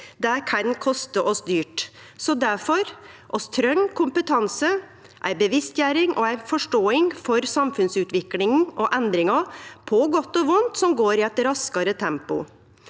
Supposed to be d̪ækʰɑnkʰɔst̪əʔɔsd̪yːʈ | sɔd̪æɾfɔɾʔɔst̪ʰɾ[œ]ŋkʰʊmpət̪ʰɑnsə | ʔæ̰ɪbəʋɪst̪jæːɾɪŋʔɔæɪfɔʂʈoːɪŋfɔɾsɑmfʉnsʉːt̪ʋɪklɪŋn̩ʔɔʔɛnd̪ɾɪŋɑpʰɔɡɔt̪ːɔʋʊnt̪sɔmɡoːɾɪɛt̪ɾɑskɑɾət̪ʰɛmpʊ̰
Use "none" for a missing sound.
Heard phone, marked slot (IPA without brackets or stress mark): œ